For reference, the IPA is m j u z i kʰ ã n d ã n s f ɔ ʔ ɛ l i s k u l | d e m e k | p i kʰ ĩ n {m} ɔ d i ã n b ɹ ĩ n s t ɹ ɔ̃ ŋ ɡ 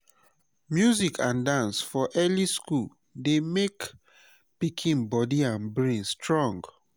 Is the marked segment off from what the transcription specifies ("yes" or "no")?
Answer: yes